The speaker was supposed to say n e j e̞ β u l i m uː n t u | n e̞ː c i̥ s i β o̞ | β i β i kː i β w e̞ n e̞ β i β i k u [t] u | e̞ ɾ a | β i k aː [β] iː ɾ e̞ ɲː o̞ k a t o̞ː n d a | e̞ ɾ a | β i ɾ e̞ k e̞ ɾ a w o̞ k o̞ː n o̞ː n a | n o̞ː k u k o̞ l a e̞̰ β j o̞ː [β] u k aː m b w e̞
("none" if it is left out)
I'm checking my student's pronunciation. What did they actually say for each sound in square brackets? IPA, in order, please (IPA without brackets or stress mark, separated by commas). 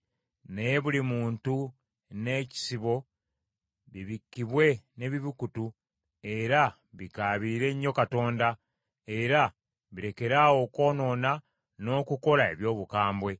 t, β, β